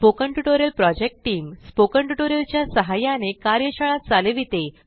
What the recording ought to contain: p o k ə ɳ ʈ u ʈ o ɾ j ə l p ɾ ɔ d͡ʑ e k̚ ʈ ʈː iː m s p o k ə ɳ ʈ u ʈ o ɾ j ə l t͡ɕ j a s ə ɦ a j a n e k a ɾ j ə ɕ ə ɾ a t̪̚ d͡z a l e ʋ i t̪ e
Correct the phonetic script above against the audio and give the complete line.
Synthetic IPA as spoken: p o k ə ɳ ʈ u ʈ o ɾ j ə l p ɾ ɔ d͡ʑ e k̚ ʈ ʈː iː m s p o k ə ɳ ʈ u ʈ o ɾ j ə l t͡ɕ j a s ə ɦ a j a n e k a ɾ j ə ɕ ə ɭ a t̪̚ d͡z a l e ʋ i t̪ e